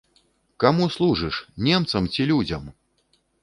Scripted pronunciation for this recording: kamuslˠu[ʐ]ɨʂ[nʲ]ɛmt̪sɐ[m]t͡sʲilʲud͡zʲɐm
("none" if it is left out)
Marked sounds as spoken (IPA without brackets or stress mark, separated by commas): ʐ, nʲ, m